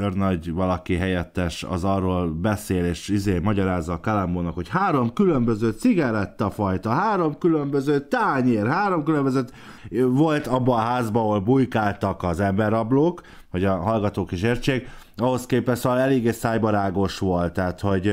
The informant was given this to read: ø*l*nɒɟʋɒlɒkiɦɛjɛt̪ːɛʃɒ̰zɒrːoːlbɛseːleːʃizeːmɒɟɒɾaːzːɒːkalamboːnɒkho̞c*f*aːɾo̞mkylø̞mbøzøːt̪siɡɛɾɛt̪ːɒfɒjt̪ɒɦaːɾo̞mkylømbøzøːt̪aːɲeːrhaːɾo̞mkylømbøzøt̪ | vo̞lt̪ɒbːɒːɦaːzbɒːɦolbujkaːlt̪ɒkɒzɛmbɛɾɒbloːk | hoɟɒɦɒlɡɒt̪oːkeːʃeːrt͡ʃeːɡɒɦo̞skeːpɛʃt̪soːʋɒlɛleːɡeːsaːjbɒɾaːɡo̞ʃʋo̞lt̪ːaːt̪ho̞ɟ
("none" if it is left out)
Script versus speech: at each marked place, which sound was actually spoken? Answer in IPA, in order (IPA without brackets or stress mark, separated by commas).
r, h